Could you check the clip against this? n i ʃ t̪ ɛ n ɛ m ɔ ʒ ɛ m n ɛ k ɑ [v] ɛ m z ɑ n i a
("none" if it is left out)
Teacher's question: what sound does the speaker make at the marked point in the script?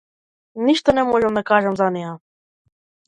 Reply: ʒ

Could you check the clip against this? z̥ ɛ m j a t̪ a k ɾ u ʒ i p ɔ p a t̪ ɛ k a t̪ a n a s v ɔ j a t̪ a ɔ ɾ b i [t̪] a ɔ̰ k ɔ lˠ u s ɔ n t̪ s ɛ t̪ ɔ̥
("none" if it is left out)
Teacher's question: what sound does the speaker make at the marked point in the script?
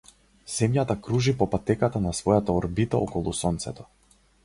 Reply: t̪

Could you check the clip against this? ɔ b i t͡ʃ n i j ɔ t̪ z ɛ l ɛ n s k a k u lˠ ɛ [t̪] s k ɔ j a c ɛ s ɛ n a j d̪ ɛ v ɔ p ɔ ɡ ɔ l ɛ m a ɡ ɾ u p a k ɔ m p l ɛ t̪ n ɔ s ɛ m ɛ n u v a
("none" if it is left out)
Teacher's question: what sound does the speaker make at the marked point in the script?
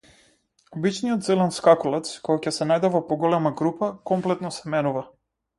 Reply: t̪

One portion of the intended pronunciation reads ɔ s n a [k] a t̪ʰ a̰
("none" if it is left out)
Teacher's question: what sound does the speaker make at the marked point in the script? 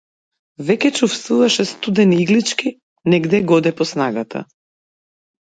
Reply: ɡ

